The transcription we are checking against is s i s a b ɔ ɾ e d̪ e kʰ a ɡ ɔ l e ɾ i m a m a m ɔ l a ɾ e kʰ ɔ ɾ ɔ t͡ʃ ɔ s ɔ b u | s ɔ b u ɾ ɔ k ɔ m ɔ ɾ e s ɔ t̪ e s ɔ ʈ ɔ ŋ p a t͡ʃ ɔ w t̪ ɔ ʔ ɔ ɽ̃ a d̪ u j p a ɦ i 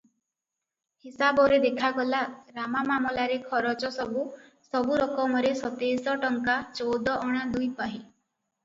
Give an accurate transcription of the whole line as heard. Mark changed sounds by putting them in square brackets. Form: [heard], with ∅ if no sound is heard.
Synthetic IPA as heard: [h] i s a b ɔ ɾ e d̪ e kʰ a ɡ ɔ l [a] ɾ [a] m a m a m ɔ l a ɾ e kʰ ɔ ɾ ɔ t͡ʃ ɔ s ɔ b u | s ɔ b u ɾ ɔ k ɔ m ɔ ɾ e s ɔ t̪ e s ɔ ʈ ɔ ŋ [k] a t͡ʃ ɔ w [d̪] ɔ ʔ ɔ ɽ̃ a d̪ u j p a ɦ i